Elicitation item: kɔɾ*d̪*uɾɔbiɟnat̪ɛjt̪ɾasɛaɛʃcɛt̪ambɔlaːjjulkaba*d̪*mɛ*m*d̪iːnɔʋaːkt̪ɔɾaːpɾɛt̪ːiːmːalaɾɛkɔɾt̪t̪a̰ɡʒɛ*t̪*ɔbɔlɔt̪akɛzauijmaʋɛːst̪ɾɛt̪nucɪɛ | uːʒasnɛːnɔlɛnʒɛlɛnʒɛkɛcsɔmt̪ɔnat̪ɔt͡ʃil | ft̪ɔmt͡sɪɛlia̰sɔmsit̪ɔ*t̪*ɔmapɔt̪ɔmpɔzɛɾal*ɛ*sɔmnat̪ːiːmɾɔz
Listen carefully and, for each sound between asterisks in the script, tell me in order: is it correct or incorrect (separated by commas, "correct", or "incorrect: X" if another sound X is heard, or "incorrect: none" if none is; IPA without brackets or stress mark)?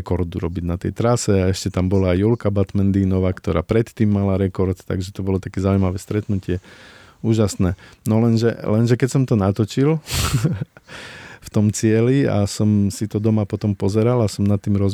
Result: correct, incorrect: t̪, incorrect: n, correct, incorrect: d̪, incorrect: a